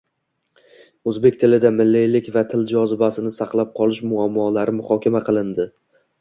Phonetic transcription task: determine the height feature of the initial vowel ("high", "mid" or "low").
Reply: mid